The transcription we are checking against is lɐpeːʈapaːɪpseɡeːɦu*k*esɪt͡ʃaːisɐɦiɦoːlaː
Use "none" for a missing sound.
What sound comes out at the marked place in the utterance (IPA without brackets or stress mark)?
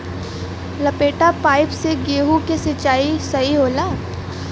k